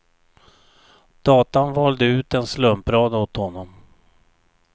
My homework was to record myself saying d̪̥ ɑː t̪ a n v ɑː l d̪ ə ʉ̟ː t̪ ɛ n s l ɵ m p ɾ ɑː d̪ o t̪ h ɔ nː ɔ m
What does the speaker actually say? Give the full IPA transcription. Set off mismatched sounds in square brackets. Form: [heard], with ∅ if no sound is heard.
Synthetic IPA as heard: d̪̥ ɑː t̪ a n v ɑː l d̪ ə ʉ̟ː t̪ ɛ n s l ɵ m p ɾ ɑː d̪ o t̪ h ɔ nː ɔ m